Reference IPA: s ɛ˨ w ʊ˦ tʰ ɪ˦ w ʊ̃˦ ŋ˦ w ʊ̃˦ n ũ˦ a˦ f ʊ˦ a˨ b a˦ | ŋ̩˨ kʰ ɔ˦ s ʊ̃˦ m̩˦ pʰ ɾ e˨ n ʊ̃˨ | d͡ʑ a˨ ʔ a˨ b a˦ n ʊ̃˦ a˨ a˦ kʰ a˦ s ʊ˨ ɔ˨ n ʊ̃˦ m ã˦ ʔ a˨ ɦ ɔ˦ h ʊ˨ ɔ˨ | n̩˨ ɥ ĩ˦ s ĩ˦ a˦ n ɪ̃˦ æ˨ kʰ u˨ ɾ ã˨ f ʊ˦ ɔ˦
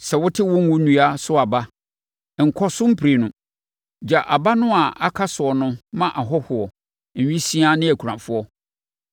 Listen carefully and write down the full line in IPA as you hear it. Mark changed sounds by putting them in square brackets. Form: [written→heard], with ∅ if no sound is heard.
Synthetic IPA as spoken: s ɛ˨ w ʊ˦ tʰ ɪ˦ w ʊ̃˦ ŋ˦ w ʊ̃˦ n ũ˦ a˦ [f→s] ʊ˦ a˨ b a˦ | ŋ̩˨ kʰ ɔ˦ s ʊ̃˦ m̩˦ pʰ ɾ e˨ n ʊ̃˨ | d͡ʑ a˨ ʔ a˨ b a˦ n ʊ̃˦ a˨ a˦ kʰ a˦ s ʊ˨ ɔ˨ n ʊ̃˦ m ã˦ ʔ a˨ ɦ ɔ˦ h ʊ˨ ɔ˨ | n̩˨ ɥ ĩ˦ s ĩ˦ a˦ n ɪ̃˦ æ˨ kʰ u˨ ɾ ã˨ f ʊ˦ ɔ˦

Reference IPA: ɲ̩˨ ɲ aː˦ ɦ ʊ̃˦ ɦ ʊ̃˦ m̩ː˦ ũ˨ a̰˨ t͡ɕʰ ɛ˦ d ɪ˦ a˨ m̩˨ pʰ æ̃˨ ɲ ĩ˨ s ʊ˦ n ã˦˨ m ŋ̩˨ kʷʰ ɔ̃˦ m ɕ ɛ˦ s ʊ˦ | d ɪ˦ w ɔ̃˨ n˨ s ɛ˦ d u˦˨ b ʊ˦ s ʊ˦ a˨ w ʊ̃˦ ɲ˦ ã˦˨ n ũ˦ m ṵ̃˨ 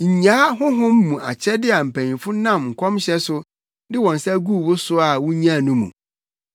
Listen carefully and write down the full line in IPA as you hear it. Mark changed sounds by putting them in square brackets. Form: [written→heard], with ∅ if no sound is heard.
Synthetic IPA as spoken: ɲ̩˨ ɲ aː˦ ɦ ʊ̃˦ ɦ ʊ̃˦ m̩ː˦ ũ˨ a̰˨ t͡ɕʰ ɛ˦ d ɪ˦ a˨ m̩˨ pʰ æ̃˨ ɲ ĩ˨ [s→f] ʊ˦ n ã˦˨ m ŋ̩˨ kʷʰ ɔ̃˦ m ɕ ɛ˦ s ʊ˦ | d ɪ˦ w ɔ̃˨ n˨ s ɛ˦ [d→ɡ] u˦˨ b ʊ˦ s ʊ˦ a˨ w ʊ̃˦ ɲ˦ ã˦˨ n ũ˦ m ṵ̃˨

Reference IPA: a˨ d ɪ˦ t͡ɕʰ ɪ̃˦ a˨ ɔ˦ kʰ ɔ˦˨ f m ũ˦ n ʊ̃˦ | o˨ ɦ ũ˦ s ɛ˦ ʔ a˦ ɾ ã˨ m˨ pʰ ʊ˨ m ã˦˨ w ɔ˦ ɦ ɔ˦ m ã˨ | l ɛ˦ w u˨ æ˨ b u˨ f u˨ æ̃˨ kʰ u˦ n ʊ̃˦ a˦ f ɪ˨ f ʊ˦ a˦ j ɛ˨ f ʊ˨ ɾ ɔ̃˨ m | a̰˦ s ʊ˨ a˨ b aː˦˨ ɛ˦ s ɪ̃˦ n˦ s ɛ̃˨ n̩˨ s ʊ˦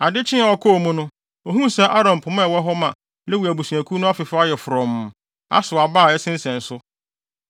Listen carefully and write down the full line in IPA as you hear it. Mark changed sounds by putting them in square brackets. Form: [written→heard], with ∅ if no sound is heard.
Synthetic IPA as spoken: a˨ d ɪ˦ t͡ɕʰ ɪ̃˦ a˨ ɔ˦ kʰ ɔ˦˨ [f→∅] m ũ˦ n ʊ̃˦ | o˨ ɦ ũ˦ s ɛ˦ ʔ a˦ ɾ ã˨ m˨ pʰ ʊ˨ m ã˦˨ w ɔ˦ ɦ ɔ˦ m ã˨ | l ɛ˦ w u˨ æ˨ b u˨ [f→s] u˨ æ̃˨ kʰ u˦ n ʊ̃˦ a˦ f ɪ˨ f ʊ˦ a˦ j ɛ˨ f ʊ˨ ɾ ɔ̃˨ m | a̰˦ s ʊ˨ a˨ b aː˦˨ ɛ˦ s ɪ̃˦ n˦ s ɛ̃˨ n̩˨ s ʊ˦

